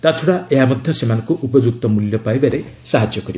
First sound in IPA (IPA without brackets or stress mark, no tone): t̪